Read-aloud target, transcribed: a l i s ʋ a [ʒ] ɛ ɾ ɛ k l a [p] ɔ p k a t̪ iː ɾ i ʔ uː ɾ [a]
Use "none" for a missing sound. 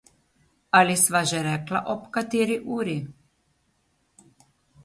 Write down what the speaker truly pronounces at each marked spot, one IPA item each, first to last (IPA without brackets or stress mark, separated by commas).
ʒ, ʔ, i